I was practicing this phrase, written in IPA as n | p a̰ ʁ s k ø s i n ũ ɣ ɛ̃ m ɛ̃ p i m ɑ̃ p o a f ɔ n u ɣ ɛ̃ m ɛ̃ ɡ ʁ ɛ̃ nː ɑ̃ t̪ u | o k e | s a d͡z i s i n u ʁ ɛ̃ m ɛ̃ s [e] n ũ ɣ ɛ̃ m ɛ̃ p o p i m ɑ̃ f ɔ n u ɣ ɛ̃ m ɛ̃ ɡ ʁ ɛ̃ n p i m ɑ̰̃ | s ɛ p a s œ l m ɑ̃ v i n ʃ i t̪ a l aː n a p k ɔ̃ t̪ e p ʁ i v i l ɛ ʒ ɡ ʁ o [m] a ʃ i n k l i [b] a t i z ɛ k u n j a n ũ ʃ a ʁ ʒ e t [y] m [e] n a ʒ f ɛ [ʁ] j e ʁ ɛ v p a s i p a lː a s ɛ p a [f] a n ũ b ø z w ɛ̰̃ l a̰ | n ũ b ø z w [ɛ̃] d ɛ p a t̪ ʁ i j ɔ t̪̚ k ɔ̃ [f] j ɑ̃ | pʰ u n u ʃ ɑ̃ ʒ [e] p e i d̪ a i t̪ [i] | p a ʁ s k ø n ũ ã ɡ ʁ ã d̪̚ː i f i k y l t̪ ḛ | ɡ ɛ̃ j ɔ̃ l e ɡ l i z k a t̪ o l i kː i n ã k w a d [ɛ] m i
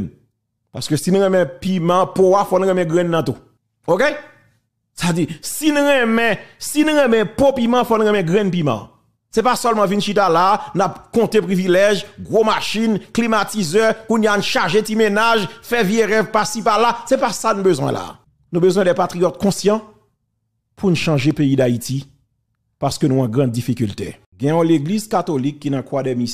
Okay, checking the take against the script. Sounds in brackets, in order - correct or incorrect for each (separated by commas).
incorrect, correct, incorrect, incorrect, correct, incorrect, incorrect, correct, incorrect, correct, correct, correct